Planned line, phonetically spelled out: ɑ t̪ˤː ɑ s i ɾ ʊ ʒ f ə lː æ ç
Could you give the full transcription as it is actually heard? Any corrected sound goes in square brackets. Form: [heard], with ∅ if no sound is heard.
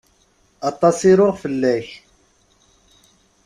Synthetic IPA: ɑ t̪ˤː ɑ s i ɾ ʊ [ʁ] f ə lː æ ç